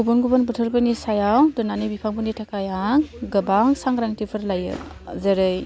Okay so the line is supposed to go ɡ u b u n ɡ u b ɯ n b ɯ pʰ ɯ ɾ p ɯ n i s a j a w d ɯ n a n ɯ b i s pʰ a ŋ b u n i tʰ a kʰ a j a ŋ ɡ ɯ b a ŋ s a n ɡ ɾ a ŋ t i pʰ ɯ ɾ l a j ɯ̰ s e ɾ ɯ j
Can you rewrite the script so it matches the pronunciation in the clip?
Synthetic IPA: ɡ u b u n ɡ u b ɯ n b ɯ tʰ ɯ ɾ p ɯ n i s a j a w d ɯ n a n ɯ b i pʰ a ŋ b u n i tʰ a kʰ a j a ŋ ɡ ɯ b a ŋ s a ŋ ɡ ɾ a ŋ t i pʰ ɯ ɾ l a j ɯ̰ z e ɾ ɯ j